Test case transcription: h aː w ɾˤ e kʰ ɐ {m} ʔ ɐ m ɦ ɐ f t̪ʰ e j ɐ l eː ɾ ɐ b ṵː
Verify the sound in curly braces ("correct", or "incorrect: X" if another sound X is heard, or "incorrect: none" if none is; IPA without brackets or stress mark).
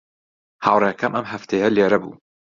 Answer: correct